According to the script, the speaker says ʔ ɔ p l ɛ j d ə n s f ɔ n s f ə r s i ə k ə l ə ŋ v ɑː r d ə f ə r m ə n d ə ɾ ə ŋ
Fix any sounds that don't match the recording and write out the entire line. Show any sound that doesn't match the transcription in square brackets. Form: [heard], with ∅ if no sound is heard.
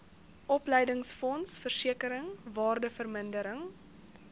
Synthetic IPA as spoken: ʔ ɔ p l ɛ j d ə [ŋ] s f ɔ n s f ə r s i ə k ə [ɾ] ə ŋ v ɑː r d ə f ə r m ə n d ə ɾ ə ŋ

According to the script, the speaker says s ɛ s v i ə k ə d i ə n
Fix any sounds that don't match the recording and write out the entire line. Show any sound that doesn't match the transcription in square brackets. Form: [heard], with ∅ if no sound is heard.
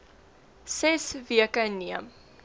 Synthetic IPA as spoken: s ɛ s v i ə k ə [n] i ə [m]

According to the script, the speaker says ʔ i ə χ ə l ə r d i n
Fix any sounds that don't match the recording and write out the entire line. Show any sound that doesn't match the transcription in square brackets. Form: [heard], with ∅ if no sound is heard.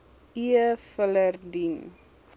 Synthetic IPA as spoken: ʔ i ə [f] ə l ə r d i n

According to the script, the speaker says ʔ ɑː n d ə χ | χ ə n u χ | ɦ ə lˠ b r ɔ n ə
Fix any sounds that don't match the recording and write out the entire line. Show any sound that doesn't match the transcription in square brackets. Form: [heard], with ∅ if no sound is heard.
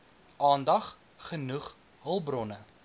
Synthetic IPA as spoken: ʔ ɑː n d [ɐ] χ | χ ə n u χ | ɦ ə lˠ b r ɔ n ə

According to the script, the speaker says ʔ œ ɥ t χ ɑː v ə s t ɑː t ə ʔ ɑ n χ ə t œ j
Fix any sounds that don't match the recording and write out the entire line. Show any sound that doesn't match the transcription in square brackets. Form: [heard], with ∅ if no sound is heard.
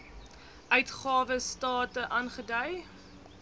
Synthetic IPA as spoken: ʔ œ ɥ t χ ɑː v ə s t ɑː t ə ʔ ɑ n χ ə [d] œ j

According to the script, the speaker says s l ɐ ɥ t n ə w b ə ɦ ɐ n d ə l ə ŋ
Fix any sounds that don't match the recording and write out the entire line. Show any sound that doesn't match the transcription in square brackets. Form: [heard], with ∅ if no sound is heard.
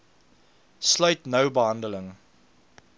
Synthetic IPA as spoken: s l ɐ ɥ t n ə w b ə ɦ ɐ n d ə l ə ŋ

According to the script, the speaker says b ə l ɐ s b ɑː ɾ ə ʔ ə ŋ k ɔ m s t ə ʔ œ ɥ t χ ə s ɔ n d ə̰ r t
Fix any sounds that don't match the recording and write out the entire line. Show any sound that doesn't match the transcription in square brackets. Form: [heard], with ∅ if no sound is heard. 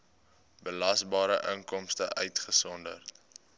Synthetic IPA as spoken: b ə l ɐ s b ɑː ɾ ə ʔ ə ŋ k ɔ m s t ə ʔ œ ɥ t χ ə s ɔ n d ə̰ r t

